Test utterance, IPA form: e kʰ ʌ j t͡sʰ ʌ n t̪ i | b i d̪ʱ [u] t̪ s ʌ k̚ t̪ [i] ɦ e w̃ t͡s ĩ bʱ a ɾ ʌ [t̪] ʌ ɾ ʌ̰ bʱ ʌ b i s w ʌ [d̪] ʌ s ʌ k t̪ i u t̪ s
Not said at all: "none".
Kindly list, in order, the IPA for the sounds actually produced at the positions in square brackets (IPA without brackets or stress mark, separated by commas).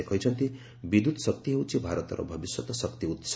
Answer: u, i, t̪, t̪